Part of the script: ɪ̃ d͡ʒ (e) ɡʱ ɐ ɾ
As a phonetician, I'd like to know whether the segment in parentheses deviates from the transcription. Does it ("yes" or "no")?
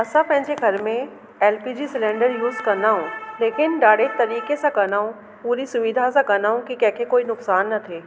no